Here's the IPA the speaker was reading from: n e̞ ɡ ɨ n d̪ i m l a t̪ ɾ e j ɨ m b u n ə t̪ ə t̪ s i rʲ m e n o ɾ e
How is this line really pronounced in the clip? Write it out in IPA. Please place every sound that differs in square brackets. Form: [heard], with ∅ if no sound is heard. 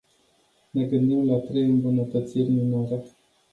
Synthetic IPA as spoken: n e̞ ɡ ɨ n d̪ i m l a t̪ ɾ e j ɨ m b u n ə t̪ ə t̪ s i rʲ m [i] n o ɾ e